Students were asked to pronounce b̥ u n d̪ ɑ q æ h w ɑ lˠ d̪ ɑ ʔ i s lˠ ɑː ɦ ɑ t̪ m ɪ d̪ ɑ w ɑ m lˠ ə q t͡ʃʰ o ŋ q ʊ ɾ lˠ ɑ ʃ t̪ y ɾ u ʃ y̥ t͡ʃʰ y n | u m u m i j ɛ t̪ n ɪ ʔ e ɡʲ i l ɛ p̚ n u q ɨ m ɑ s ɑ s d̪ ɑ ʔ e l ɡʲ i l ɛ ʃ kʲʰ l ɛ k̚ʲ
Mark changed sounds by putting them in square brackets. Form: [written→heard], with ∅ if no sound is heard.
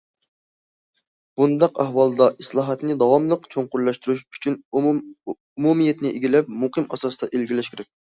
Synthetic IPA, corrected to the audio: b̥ u n d̪ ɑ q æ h w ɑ lˠ d̪ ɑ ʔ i s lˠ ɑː ɦ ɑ t̪ [m→n] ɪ d̪ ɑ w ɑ m lˠ ə q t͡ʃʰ o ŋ q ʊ ɾ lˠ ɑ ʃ t̪ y ɾ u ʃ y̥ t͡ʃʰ y n | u m u m i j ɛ t̪ n ɪ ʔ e ɡʲ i l ɛ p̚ [n→m] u q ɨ m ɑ s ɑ s d̪ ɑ ʔ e l ɡʲ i l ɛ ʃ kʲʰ [l→ɾ] ɛ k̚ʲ